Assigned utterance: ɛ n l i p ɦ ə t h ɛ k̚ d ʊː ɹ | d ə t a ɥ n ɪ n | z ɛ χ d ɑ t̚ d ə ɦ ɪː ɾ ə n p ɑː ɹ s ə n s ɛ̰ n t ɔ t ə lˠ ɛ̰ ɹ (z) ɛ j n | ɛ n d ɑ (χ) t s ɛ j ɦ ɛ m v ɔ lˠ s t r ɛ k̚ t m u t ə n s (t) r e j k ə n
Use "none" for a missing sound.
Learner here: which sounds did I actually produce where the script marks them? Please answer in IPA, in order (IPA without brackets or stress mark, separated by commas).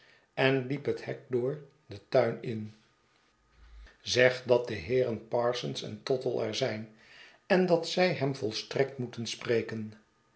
z, none, p